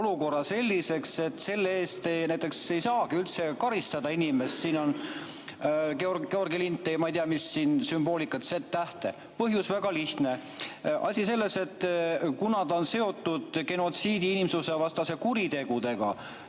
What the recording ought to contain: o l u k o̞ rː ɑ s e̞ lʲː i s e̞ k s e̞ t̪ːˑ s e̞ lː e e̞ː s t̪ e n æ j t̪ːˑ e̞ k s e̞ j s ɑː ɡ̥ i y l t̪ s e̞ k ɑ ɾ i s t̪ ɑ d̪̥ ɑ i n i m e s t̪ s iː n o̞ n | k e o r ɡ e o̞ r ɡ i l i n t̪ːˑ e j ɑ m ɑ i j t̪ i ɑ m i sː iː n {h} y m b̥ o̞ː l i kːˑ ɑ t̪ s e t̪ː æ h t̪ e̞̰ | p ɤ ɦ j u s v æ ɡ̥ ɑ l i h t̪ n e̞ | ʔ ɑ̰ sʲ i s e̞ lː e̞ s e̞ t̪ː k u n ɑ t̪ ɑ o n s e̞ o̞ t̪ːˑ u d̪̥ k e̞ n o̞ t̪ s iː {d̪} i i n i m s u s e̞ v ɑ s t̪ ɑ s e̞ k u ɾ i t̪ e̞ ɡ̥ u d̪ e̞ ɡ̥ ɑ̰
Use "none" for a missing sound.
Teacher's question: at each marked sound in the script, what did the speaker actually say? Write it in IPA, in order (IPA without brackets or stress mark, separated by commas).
s, d̪